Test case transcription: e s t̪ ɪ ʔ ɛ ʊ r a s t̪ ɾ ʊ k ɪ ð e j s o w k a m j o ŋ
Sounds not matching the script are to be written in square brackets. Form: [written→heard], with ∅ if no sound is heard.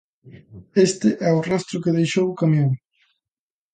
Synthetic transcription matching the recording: e s t̪ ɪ ʔ ɛ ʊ r a s t̪ ɾ ʊ k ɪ ð e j [s→ʃ] o w k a m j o ŋ